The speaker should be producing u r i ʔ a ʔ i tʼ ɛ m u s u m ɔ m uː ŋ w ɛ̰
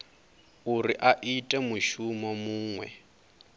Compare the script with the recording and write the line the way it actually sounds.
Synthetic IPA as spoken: u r i ʔ a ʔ i tʼ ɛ m u ʃ u m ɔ m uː ŋ w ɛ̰